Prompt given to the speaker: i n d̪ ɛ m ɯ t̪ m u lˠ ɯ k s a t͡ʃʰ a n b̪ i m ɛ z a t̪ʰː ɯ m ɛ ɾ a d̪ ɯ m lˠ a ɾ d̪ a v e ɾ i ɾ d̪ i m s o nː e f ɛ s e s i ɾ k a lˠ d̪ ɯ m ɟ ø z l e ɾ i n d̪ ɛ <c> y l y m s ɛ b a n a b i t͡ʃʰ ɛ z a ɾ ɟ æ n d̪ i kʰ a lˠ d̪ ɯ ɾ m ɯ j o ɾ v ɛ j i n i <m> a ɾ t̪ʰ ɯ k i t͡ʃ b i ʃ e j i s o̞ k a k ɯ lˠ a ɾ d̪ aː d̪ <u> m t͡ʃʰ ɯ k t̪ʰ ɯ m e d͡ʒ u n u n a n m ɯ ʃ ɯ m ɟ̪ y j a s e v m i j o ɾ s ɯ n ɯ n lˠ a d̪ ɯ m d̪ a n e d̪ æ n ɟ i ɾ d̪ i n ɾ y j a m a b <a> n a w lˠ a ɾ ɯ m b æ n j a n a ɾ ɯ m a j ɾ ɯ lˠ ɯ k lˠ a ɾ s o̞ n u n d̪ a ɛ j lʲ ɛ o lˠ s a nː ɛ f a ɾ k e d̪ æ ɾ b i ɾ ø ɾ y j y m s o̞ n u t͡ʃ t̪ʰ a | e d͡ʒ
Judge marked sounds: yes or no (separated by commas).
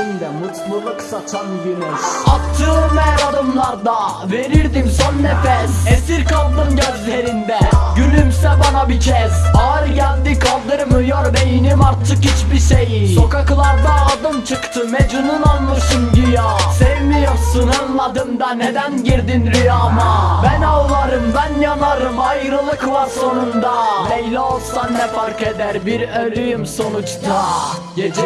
no, yes, no, no